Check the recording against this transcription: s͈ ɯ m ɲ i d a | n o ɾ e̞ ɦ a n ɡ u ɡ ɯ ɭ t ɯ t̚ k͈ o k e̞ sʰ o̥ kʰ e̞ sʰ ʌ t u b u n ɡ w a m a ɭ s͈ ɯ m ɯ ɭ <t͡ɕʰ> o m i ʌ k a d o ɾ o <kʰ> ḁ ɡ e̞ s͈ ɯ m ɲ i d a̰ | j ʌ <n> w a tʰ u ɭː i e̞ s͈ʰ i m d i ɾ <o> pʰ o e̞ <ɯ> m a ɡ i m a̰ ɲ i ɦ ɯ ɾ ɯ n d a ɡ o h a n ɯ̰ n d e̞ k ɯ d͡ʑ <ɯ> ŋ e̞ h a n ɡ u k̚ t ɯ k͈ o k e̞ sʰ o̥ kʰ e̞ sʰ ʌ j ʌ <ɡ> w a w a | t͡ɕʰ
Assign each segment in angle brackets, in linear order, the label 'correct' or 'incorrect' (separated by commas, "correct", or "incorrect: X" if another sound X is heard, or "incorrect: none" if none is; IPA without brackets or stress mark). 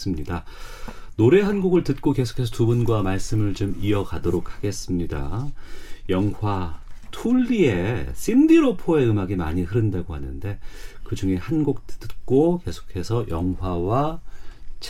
incorrect: t͡ɕ, correct, incorrect: ŋ, correct, correct, incorrect: u, incorrect: ŋ